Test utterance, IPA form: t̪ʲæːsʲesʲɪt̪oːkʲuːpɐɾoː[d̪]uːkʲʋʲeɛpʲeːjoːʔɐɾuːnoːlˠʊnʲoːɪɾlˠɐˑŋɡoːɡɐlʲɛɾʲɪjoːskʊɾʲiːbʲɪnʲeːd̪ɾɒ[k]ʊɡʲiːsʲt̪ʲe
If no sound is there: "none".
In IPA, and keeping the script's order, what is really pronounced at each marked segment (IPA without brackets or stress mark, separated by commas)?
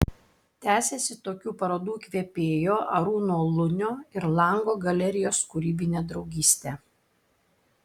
d̪, none